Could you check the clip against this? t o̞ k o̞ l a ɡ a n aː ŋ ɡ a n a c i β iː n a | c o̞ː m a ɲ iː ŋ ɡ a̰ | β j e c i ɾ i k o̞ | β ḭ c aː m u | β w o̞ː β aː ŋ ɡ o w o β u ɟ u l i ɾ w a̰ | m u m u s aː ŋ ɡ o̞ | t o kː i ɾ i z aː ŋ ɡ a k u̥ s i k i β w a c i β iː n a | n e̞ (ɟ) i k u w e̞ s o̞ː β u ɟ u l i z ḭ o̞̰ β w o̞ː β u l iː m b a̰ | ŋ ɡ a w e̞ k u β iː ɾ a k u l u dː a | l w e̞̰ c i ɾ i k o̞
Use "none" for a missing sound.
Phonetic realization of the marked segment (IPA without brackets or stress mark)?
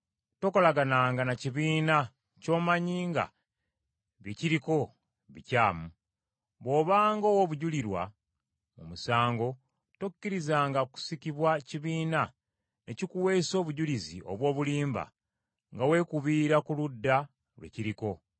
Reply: c